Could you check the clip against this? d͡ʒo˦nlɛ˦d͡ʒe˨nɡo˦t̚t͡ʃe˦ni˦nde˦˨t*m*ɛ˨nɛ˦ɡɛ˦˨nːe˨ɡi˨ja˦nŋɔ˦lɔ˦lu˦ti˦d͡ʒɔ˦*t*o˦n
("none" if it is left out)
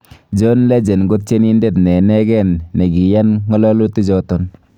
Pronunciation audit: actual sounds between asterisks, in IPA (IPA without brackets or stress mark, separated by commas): n, t